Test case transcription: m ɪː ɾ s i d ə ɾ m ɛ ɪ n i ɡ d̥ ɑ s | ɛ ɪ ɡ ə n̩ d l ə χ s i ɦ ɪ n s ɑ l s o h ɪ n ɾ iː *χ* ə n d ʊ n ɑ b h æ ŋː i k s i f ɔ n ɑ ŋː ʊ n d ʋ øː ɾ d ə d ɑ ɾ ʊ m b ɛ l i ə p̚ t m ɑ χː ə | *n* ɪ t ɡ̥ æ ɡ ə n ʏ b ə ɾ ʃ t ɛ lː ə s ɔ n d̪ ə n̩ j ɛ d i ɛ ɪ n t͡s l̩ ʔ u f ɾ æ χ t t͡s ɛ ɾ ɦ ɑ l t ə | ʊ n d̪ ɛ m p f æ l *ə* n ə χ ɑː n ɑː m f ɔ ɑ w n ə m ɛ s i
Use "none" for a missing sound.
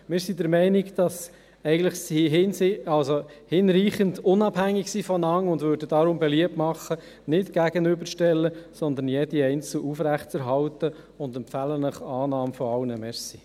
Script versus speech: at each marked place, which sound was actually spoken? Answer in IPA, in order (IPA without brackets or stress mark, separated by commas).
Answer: χ, n, ə